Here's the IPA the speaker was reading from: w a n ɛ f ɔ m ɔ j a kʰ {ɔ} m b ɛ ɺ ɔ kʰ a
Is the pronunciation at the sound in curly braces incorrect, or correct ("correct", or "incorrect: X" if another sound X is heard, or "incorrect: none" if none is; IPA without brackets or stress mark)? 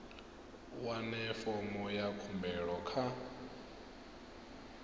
incorrect: u